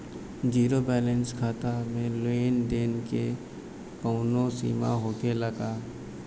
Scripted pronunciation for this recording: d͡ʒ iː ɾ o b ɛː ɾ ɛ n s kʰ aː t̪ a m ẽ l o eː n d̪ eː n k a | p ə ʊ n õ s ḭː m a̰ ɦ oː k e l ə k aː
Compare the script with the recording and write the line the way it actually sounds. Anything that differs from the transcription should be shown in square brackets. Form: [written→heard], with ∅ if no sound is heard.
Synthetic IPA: d͡ʒ iː ɾ o b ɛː [ɾ→l] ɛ n s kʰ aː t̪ a m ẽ l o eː n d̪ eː n k [a→e] | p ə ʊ n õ s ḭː m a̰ ɦ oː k e l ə [k→ɡ] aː